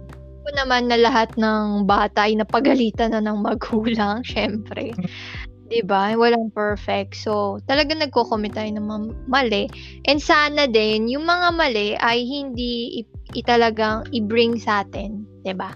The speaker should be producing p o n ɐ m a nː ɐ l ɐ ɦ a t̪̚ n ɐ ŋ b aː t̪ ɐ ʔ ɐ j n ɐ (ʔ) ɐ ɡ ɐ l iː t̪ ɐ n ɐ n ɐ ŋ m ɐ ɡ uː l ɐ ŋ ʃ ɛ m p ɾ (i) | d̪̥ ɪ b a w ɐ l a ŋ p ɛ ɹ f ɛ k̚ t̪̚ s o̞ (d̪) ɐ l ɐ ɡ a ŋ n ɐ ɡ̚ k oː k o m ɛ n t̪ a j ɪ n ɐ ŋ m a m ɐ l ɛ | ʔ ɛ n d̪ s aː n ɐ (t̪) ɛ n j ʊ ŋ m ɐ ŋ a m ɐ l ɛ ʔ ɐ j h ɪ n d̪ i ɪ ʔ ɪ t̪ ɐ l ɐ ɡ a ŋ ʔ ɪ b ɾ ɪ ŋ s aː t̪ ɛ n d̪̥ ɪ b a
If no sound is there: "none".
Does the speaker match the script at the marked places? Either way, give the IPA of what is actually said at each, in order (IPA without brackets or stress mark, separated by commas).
p, ɛ, t̪, d̪